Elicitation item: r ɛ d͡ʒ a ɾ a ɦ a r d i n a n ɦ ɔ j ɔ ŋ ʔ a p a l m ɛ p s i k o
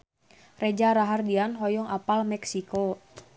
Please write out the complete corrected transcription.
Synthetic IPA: r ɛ d͡ʒ a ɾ a ɦ a r d i a n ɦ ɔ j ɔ ŋ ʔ a p a l m ɛ k s i k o